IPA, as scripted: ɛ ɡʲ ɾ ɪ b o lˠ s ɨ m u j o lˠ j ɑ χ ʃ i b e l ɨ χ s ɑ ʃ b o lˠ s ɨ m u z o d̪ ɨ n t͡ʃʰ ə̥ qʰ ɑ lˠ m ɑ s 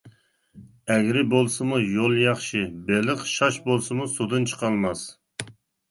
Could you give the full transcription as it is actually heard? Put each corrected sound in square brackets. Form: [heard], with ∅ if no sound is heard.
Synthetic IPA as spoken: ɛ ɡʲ ɾ ɪ b o lˠ s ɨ m u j o lˠ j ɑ χ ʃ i b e l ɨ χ [ʃ] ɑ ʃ b o lˠ s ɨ m u [s] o d̪ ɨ n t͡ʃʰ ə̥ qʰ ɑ lˠ m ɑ s